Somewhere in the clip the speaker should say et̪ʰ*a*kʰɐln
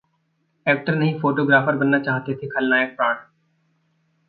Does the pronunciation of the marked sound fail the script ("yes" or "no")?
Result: yes